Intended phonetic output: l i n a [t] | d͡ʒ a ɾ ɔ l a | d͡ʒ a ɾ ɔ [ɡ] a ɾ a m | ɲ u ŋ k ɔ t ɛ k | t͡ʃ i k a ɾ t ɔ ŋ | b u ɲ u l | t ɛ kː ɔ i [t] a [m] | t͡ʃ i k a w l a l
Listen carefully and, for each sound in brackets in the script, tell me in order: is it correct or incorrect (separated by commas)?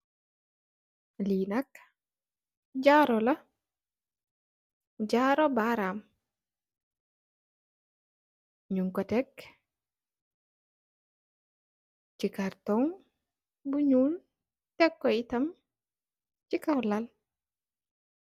incorrect, incorrect, correct, correct